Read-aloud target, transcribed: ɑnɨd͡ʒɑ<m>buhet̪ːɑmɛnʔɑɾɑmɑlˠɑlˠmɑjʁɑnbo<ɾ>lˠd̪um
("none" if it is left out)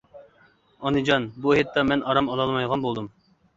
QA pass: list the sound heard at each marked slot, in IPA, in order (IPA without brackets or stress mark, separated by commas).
n, none